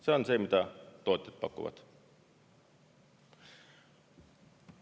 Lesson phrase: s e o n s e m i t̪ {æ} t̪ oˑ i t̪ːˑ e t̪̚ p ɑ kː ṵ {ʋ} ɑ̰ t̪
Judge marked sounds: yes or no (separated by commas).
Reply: yes, yes